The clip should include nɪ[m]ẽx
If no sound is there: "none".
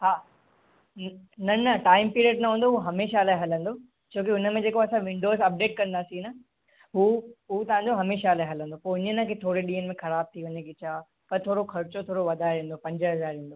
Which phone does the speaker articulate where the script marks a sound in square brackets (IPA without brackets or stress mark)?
m